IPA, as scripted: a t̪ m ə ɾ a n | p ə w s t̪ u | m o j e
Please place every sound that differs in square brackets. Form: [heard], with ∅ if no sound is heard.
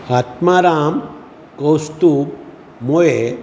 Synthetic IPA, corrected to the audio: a t̪ m [a] ɾ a [m] | [k] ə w s t̪ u | m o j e